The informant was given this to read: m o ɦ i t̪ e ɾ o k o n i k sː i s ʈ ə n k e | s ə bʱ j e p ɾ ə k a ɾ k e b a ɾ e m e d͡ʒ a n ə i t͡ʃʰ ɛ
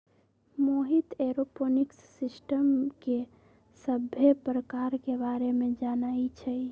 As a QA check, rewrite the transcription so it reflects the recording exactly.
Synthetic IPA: m o ɦ i t̪ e ɾ o p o n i k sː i s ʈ ə m k e | s ə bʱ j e p ɾ ə k a ɾ k e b a ɾ e m e d͡ʒ a n a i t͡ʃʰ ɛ